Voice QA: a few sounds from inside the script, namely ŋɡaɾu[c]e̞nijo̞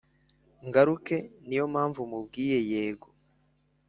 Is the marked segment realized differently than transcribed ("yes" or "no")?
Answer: yes